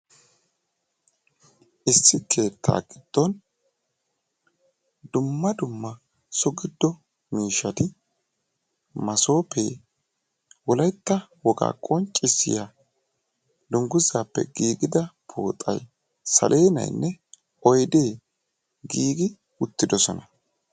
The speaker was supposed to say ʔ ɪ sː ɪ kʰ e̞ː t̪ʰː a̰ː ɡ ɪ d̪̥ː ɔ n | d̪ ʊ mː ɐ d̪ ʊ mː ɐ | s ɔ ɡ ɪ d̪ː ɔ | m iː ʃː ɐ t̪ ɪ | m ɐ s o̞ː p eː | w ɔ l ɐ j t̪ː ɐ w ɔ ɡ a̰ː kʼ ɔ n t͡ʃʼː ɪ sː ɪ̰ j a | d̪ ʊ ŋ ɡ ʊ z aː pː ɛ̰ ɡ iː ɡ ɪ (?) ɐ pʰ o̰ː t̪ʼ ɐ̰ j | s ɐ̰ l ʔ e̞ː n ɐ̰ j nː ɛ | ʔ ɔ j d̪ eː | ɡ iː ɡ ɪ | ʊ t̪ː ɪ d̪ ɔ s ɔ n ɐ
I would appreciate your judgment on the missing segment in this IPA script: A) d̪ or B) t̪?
A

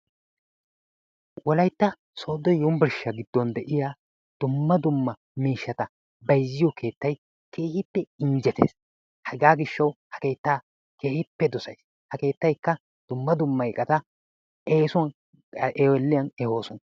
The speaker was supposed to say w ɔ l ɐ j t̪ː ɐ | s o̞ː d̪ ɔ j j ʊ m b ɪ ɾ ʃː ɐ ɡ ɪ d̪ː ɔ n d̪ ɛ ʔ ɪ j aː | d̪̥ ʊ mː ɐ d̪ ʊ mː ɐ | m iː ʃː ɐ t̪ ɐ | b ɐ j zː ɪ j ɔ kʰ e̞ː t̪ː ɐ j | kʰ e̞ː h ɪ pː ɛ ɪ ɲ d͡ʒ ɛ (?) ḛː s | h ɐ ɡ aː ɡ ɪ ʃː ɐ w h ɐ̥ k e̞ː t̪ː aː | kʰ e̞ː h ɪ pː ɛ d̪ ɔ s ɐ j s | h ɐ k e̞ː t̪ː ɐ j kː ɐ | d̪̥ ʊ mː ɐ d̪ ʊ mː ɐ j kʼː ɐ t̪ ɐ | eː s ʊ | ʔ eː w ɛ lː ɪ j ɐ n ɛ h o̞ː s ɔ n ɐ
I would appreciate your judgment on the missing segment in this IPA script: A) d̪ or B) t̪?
B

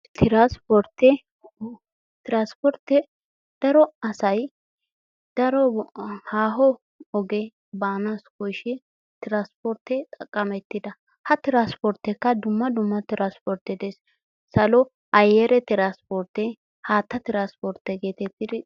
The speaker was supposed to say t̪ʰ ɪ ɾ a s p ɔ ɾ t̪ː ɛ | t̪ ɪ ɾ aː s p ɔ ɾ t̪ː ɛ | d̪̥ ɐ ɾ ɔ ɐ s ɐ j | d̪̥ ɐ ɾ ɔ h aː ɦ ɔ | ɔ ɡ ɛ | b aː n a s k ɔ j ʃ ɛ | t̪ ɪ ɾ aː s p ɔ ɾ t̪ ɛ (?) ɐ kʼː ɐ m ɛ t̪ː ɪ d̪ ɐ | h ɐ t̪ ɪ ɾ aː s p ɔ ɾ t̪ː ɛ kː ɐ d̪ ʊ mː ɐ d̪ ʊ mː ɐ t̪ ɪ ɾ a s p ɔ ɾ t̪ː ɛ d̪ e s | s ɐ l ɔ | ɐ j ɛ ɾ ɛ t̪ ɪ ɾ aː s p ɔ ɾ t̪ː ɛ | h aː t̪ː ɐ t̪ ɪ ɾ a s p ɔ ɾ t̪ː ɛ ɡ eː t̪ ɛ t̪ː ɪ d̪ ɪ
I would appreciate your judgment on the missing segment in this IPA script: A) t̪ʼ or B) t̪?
A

